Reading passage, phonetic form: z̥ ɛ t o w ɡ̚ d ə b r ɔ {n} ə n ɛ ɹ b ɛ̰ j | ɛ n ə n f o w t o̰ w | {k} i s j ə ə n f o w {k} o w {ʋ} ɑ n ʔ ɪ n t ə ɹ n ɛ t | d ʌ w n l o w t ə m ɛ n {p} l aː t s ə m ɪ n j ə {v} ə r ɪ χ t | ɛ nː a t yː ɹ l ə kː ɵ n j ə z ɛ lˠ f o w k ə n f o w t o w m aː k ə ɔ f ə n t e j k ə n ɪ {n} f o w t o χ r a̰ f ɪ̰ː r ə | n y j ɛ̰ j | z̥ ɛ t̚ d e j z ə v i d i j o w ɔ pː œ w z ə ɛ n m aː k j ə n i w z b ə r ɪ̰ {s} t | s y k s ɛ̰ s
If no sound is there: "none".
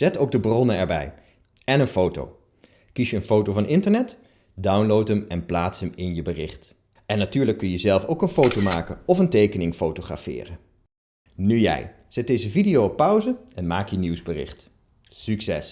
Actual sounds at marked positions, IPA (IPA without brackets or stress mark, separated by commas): n, k, t, v, p, b, ŋ, χ